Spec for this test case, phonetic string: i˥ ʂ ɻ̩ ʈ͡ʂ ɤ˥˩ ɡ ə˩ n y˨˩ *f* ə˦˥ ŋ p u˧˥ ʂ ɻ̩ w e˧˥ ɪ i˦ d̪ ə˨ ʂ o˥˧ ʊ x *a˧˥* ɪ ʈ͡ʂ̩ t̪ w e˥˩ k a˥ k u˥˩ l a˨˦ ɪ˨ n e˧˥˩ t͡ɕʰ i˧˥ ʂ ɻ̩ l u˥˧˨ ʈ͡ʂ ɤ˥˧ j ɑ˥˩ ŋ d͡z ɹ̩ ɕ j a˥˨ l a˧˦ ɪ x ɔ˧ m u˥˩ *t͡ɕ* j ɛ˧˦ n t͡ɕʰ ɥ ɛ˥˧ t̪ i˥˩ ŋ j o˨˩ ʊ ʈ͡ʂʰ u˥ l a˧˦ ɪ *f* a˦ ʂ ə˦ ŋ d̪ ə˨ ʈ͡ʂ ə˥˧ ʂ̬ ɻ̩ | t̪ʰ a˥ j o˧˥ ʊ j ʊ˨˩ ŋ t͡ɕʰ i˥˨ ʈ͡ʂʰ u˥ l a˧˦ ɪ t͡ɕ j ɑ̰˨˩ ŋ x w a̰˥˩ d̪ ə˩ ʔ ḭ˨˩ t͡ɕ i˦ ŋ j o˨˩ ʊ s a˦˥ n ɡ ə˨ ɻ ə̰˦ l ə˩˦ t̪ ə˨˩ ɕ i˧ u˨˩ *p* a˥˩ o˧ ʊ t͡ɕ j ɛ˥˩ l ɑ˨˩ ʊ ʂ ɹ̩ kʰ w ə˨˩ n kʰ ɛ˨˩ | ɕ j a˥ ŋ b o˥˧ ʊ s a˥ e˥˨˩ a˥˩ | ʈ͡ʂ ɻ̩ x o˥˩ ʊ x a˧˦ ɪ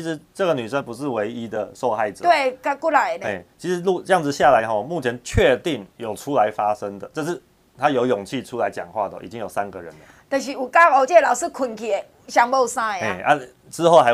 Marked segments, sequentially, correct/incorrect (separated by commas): incorrect, incorrect, incorrect, correct, incorrect